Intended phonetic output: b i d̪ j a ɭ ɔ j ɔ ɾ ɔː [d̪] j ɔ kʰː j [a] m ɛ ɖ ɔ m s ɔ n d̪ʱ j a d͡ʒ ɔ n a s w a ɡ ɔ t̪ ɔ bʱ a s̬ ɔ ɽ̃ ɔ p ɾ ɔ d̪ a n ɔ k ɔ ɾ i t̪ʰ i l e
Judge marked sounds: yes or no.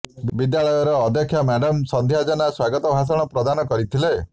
yes, yes

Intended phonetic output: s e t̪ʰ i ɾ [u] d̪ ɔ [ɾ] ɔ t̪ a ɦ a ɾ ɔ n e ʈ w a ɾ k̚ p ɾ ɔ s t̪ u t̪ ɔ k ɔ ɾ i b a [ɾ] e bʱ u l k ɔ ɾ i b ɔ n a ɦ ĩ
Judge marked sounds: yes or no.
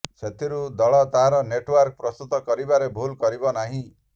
yes, no, yes

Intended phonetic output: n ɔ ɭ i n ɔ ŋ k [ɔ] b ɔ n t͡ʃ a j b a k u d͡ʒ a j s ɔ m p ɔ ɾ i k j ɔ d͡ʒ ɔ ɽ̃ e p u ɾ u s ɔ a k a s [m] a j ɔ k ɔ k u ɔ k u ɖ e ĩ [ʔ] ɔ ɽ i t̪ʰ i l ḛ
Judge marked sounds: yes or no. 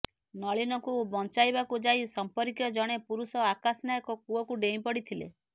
no, no, no

